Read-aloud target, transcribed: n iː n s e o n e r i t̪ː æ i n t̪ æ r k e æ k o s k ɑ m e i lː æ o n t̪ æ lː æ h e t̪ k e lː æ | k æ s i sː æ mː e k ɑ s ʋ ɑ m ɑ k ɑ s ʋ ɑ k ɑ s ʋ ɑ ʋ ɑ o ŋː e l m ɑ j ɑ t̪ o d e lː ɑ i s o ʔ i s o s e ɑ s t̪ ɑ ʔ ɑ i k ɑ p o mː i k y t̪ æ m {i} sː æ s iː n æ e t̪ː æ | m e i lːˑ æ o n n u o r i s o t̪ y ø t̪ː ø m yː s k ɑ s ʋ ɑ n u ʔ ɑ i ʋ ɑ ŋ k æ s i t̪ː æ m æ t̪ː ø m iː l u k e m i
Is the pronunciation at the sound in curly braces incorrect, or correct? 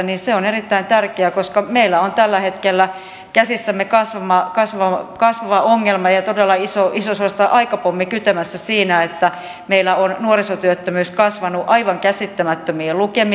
incorrect